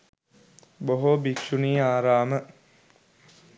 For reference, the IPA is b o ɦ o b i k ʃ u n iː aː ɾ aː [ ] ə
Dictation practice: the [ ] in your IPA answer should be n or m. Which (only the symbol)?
m